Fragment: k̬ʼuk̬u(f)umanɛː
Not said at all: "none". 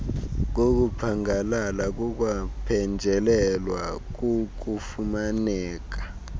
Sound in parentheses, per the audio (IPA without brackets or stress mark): f